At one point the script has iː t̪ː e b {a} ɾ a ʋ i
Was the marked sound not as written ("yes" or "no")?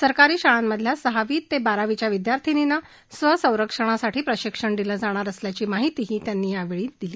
no